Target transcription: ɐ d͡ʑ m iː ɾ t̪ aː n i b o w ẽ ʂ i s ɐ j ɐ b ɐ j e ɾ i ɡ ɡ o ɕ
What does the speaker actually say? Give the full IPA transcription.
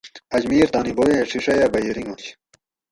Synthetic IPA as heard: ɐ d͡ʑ m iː ɾ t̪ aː n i b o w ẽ ʂ i ʂ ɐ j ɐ b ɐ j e ɾ i ŋ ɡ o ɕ